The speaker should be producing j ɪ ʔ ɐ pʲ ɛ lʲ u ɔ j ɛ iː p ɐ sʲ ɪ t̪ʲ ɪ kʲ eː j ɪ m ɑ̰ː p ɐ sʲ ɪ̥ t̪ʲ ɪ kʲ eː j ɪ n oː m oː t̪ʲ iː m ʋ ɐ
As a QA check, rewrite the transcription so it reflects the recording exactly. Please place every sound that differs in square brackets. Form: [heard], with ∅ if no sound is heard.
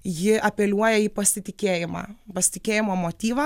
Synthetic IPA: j ɪ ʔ ɐ pʲ ɛ lʲ u ɔ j ɛ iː p ɐ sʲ ɪ t̪ʲ ɪ kʲ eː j ɪ m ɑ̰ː p ɐ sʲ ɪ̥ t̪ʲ ɪ kʲ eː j ɪ [m] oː m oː t̪ʲ iː [∅] ʋ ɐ